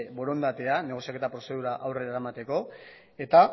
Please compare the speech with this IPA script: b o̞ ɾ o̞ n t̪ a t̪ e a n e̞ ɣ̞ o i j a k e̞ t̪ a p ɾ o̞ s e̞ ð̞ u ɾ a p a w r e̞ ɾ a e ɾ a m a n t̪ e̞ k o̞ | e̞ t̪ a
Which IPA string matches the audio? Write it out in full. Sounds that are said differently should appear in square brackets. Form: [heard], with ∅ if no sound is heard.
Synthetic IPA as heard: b o̞ ɾ o̞ n [d̪] a t̪ e a n e̞ ɣ̞ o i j a k e̞ t̪ a p ɾ o̞ s e̞ ð̞ u ɾ a [ʔ] a w r e̞ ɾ a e ɾ a m a [∅] t̪ e̞ k o̞ | e̞ t̪ a